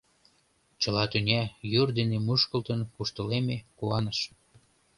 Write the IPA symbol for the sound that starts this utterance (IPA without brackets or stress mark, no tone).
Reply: t͡ɕ